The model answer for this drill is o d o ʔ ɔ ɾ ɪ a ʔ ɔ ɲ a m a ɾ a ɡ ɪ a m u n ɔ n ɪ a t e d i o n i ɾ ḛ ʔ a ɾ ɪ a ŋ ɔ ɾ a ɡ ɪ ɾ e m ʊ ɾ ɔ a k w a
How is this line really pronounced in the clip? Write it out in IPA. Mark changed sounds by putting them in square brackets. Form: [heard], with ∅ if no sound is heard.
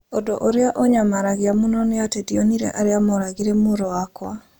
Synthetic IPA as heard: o d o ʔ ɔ ɾ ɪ a ʔ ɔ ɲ a m a ɾ a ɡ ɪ a m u n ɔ n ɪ a t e d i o n i ɾ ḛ ʔ a ɾ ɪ a [m] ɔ ɾ a ɡ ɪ ɾ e m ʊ ɾ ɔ a k w a